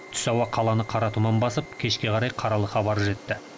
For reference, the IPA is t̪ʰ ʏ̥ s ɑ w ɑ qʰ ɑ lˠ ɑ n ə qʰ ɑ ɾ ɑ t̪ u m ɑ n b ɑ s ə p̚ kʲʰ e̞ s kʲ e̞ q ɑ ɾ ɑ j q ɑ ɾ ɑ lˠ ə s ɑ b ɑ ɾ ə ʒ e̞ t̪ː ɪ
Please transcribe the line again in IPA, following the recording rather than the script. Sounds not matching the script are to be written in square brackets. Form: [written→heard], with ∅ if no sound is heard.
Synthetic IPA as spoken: t̪ʰ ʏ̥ s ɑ w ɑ qʰ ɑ lˠ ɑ n ə qʰ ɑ ɾ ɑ t̪ u m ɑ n b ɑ s ə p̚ kʲʰ e̞ [s→ʃ] kʲ e̞ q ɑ ɾ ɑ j [q→qʰ] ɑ ɾ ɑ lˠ ə [s→χ] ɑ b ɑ ɾ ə ʒ e̞ t̪ː ɪ